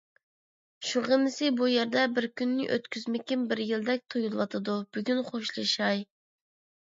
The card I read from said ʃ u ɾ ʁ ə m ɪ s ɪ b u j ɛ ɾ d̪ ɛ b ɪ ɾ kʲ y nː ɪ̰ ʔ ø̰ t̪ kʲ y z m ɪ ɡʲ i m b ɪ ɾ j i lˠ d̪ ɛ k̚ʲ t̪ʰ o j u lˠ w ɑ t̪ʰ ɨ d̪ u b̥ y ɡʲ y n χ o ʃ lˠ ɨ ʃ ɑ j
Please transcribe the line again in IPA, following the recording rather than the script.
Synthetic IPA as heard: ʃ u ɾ ʁ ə m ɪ s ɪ b u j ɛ ɾ d̪ ɛ b ɪ ɾ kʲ y nː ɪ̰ ʔ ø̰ t̪ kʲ y z m ɪ kʲ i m b ɪ ɾ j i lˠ d̪ ɛ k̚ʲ t̪ʰ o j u lˠ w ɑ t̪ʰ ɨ d̪ u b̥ y ɡʲ y n χ o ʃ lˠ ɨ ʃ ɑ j